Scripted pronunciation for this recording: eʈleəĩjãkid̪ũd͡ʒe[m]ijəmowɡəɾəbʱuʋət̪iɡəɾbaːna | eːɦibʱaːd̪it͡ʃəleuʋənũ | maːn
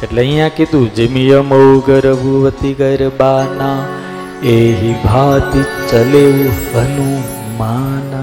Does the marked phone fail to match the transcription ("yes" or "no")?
no